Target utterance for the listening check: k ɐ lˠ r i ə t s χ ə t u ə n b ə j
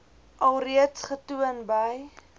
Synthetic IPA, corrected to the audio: ʔ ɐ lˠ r i ə t s χ ə t u ə n b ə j